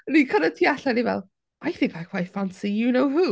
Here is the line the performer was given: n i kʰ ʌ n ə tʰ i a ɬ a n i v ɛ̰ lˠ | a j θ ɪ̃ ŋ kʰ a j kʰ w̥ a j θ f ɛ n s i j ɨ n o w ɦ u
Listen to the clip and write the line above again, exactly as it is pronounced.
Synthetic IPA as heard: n i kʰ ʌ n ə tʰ i a ɬ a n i v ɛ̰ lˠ | a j θ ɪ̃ ŋ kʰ a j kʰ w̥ a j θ f a n s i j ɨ n o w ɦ u